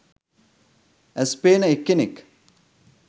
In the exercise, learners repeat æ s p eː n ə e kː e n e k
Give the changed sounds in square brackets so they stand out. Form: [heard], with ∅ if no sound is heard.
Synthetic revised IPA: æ s p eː n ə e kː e n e k